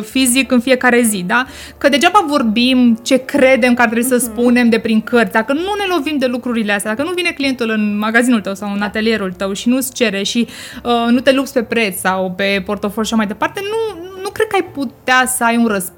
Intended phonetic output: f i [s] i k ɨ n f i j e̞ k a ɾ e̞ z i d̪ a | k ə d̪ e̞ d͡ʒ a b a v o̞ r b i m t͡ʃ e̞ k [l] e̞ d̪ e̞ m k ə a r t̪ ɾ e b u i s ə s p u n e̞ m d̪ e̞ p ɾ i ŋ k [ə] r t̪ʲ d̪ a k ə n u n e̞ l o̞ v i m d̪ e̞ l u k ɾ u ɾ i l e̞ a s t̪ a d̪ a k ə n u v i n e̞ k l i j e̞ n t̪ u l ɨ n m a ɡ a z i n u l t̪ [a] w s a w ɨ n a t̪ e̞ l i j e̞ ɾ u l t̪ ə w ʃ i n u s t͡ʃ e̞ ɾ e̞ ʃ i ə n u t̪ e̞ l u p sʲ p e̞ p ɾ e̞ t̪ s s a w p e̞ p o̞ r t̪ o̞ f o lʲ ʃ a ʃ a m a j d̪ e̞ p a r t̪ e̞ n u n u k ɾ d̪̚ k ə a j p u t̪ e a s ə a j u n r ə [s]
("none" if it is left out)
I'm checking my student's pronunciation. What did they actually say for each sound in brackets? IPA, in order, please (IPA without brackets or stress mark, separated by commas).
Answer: z, ɾ, ə, ə, s